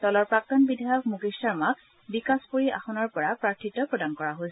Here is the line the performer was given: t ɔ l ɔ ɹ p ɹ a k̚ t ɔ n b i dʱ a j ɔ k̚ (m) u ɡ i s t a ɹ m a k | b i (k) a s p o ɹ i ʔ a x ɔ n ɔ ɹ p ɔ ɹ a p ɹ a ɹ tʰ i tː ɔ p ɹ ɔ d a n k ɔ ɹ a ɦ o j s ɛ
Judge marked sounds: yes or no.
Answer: yes, yes

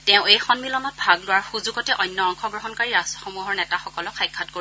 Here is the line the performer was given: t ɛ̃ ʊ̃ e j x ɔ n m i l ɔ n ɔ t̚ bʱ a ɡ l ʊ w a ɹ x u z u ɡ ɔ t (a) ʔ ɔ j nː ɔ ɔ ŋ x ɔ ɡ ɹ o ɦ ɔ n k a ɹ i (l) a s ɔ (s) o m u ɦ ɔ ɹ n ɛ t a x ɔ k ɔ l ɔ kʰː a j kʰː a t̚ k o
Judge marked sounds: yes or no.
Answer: no, no, no

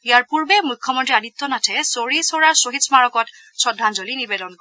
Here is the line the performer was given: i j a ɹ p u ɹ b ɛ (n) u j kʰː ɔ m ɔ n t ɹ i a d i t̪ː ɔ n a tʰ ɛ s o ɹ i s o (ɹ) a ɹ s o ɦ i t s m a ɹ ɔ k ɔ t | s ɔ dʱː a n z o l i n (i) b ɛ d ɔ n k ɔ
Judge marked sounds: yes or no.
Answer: no, yes, yes

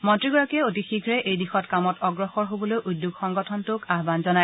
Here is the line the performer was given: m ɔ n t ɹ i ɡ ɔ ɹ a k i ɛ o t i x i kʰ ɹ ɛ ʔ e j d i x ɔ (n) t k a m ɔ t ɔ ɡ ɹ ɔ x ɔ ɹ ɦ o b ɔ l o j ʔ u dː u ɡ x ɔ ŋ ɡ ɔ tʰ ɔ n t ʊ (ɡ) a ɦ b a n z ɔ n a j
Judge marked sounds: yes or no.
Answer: no, no

